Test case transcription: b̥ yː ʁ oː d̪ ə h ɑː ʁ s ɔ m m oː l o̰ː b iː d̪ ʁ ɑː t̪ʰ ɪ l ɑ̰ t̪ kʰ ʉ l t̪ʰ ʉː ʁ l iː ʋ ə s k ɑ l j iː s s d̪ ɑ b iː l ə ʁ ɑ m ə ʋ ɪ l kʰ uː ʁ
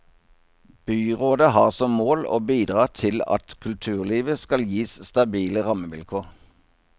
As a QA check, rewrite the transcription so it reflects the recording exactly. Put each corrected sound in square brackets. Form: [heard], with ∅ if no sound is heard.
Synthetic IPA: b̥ yː ʁ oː d̪ ə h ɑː ʁ s ɔ m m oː l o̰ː b iː d̪ ʁ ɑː t̪ʰ ɪ l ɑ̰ t̪ kʰ ʉ l t̪ʰ ʉː ʁ l iː ʋ ə s k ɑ l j iː s s [t̪] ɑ b iː l ə ʁ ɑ m ə ʋ ɪ l kʰ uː ʁ